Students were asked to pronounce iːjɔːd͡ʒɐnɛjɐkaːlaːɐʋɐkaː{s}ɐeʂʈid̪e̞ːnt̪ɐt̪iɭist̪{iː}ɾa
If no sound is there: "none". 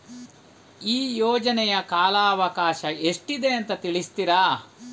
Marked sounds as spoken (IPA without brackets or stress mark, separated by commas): ʃ, i